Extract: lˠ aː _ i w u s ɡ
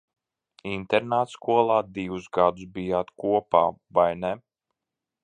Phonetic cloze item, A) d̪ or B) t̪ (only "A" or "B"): A